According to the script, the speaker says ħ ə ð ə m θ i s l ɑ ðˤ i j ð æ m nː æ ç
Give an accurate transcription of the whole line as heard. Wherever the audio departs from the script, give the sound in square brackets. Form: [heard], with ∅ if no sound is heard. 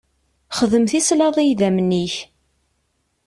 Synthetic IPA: [χ] ə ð ə m θ i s l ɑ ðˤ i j ð æ m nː [i] ç